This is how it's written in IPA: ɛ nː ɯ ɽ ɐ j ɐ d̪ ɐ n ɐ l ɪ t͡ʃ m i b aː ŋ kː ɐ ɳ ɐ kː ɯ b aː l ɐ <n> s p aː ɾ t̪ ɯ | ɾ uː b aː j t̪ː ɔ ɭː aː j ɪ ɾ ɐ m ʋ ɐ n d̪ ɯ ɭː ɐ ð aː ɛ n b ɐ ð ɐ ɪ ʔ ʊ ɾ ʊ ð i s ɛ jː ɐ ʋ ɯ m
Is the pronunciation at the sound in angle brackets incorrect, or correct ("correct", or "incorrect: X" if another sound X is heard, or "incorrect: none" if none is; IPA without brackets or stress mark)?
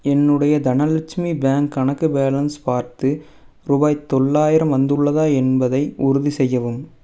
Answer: correct